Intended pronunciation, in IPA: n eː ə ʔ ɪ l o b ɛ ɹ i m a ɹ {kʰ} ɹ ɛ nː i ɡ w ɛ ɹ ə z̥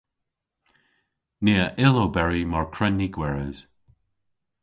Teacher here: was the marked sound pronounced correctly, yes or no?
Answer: yes